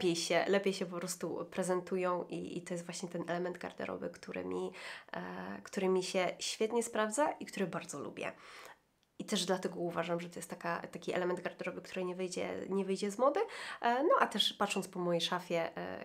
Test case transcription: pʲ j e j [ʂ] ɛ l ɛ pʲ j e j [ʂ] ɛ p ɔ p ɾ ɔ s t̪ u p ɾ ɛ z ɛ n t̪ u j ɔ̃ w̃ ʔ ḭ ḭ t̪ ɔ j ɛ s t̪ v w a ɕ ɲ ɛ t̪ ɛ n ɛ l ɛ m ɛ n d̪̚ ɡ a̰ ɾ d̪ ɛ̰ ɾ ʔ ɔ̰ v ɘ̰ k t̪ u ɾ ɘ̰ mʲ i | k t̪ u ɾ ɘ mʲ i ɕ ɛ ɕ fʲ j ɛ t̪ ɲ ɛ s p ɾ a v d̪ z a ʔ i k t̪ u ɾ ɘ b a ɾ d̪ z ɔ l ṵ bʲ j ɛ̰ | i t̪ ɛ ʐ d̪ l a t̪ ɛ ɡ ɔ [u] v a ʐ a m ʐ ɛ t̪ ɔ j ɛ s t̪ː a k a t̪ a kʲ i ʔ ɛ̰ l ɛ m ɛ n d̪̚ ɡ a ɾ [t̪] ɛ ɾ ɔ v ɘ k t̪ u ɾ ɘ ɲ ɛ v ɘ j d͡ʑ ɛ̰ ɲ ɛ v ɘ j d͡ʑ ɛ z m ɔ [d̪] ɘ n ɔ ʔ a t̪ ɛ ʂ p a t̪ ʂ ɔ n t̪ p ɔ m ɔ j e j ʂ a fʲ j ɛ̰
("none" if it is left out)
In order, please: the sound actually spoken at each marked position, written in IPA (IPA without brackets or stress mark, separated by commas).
ɕ, ɕ, u, d̪, d̪